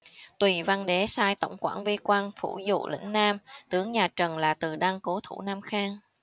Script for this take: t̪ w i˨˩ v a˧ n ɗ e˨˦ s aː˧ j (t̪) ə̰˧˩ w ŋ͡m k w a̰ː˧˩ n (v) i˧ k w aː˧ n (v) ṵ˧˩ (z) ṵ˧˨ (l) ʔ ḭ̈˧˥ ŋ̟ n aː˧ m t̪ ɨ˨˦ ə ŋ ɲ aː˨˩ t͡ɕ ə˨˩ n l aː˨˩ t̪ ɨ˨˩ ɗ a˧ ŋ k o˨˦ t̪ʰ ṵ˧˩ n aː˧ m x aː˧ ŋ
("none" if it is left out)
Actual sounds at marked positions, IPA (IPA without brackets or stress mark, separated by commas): t̪, v, f, z, l